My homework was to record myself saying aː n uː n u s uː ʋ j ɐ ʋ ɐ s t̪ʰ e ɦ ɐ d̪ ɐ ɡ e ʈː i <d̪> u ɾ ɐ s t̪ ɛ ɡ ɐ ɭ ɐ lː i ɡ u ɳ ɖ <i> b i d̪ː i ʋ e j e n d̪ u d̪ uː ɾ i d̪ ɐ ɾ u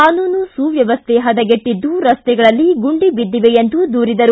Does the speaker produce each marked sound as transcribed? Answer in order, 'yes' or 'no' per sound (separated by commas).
no, yes